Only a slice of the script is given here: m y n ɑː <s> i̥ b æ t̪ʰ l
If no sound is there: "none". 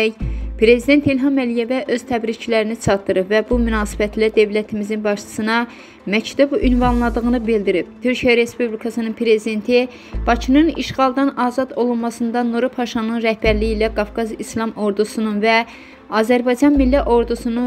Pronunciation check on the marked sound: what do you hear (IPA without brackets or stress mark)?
s